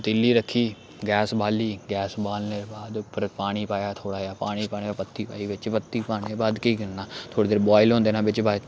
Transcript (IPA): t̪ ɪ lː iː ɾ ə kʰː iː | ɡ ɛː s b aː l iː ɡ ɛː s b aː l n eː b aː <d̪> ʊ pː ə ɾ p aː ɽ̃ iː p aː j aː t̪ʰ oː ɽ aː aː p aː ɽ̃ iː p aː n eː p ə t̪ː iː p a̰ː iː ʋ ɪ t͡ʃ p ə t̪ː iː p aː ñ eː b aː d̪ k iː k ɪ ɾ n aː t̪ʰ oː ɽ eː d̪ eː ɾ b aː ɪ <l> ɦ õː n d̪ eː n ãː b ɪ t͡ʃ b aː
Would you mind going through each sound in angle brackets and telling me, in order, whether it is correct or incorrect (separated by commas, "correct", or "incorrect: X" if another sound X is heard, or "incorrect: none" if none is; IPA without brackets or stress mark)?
correct, correct